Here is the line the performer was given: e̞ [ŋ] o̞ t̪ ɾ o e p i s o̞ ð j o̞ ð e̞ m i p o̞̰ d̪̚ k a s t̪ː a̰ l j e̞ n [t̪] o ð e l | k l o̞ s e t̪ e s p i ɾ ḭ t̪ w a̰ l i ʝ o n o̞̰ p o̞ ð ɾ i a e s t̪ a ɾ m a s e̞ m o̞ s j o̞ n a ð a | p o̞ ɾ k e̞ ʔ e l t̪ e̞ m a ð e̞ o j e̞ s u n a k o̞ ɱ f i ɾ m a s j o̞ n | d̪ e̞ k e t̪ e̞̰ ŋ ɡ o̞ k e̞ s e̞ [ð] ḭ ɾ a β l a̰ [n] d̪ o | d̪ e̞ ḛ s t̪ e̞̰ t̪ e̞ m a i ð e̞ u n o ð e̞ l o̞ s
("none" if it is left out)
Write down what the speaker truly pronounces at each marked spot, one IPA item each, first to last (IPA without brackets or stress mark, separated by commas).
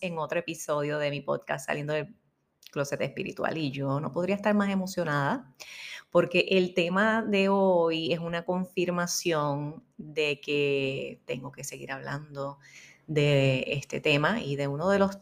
ŋ, d̪, ɣ, n